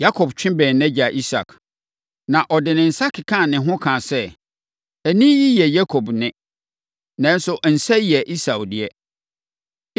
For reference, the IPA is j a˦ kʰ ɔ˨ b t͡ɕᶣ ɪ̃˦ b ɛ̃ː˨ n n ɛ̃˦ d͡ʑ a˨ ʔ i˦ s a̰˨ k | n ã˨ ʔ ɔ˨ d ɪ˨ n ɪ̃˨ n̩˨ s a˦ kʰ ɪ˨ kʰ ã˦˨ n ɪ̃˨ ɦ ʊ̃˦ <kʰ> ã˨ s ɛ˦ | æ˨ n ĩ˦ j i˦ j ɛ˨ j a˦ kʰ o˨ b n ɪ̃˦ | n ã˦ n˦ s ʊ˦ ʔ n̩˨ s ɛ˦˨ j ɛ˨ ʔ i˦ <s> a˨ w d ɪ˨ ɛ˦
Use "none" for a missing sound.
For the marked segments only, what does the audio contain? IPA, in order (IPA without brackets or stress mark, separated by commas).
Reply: kʰ, s